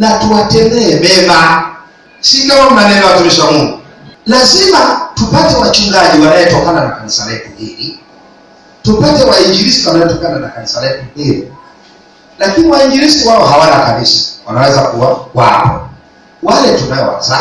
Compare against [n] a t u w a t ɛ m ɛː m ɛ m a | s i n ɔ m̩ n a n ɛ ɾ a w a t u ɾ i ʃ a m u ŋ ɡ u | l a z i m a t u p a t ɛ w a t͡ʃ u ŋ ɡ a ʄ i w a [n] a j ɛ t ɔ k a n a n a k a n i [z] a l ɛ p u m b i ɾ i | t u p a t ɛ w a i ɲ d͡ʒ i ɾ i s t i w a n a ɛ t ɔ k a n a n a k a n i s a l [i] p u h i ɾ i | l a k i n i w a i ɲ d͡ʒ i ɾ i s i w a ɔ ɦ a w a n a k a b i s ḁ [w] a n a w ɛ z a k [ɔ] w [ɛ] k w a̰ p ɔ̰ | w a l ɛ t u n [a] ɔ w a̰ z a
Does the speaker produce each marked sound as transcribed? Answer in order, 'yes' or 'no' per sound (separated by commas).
yes, yes, no, no, yes, no, no, yes